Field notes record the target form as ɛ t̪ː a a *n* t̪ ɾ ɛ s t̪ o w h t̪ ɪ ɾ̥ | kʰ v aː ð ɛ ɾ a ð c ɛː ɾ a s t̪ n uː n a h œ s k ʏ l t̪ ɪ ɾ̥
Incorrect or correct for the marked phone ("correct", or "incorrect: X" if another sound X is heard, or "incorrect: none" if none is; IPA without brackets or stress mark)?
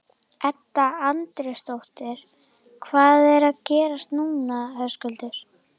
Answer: correct